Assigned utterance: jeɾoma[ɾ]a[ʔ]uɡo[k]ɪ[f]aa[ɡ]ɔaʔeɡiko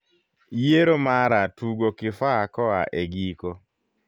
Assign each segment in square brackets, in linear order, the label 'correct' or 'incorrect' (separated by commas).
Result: correct, incorrect, correct, correct, incorrect